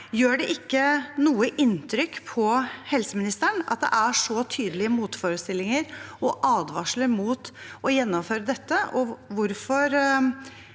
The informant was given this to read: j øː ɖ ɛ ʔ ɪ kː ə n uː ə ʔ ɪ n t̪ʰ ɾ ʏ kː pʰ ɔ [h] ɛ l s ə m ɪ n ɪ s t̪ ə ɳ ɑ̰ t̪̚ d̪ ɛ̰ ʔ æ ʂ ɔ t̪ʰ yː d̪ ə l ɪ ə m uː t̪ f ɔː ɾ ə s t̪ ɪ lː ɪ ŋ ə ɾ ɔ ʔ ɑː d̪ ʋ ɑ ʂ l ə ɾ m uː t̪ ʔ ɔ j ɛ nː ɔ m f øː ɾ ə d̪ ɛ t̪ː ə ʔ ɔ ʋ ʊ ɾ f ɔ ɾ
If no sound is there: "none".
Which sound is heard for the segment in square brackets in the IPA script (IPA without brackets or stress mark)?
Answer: h